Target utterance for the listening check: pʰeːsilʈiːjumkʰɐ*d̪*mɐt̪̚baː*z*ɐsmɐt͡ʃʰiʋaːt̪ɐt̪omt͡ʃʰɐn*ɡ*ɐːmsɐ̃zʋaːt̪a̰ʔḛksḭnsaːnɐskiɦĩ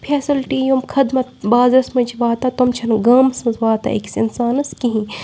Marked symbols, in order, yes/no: yes, yes, yes

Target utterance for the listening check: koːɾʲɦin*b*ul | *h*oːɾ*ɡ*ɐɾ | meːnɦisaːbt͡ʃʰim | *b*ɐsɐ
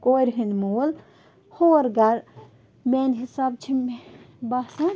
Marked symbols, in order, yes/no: no, yes, yes, yes

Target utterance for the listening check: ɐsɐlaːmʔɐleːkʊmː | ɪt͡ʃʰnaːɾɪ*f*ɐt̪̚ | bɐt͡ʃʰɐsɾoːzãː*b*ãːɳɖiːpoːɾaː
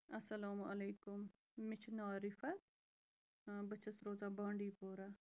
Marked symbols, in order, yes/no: yes, yes

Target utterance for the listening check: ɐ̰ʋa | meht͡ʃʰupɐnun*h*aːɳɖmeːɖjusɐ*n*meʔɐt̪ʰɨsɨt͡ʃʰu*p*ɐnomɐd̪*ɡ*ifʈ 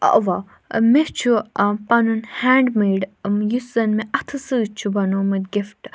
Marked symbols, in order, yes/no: yes, yes, no, yes

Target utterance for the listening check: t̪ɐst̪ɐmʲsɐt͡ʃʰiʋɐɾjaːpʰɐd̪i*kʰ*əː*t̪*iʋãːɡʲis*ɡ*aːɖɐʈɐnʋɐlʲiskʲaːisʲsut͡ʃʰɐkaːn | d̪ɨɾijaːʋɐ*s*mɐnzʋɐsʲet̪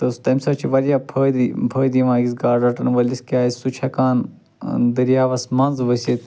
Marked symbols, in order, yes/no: no, no, yes, yes

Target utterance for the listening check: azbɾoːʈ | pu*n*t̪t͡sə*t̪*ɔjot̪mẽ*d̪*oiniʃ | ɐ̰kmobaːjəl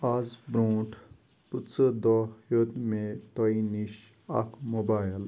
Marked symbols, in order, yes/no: no, no, no

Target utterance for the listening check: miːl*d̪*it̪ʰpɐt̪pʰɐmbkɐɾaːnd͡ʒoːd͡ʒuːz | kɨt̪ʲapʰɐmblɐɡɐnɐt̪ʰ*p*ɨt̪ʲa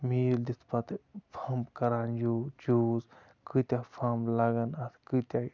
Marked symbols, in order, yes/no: yes, no

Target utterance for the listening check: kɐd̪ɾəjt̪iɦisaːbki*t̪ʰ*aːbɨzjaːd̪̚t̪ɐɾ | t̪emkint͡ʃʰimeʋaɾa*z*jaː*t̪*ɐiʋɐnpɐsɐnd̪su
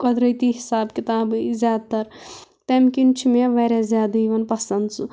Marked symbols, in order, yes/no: no, yes, no

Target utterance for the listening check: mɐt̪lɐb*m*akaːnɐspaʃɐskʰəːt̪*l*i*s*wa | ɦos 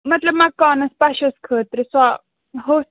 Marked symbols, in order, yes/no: yes, no, yes

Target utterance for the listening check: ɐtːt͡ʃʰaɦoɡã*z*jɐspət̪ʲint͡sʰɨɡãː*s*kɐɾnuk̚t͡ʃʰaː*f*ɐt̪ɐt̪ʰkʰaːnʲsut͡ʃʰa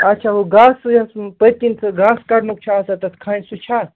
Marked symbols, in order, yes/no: no, yes, no

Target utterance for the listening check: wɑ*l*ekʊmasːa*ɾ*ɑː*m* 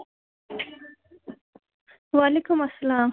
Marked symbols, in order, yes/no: yes, no, yes

